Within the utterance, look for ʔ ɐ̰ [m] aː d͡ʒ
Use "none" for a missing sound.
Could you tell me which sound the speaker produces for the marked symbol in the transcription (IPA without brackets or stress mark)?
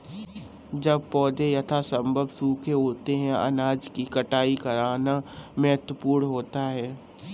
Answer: n